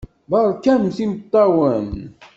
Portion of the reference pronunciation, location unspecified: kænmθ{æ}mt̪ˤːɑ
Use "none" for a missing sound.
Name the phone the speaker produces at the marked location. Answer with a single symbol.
i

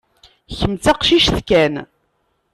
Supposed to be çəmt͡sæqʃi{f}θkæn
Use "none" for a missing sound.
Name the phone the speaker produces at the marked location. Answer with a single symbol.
ʃ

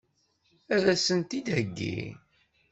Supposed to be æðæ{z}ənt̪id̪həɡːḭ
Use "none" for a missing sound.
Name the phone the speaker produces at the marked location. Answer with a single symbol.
s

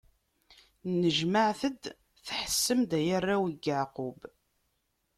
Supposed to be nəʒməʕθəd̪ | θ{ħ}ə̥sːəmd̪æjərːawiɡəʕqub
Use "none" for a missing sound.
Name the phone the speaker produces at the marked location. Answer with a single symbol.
ħ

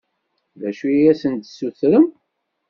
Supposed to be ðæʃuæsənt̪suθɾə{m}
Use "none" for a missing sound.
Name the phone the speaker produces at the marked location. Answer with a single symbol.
m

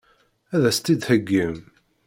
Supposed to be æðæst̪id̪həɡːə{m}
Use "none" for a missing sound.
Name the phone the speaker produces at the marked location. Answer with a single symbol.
m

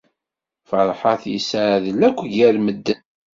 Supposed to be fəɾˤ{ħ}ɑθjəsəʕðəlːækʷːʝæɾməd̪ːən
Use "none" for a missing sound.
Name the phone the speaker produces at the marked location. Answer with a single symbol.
ħ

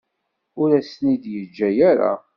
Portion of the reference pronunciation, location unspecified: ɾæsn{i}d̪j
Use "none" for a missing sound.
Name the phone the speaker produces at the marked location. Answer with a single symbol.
i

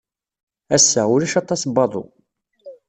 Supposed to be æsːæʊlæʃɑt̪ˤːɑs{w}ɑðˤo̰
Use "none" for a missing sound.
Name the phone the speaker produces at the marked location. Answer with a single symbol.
b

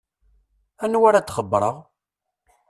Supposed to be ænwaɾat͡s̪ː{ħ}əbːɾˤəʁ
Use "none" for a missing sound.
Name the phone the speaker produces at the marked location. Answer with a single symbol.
χ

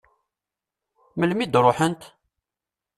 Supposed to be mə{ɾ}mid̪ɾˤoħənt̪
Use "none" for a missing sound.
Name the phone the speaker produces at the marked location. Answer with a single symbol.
l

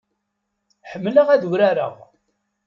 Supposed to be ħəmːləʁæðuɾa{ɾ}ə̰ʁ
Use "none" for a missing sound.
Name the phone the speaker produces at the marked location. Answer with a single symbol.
ɾ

